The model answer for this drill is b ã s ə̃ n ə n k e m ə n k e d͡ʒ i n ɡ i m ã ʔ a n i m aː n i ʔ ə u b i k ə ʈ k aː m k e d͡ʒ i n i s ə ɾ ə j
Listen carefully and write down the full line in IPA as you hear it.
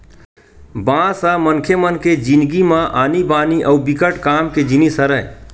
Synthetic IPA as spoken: b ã s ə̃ m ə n kʰ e m ə n k e d͡ʒ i n ɡ i m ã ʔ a n i b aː n i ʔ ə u b i k ə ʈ k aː m k e d͡ʒ i n i s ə ɾ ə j